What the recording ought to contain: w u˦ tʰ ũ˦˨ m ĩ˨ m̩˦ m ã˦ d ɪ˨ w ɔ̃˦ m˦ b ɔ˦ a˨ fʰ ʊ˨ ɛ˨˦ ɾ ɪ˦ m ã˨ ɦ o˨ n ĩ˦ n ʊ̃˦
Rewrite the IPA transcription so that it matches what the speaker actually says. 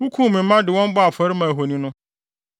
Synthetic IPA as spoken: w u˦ kʰ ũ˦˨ m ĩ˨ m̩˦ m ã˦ d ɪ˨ w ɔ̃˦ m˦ b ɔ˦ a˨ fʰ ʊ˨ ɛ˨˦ ɾ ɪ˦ m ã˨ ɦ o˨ n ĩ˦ n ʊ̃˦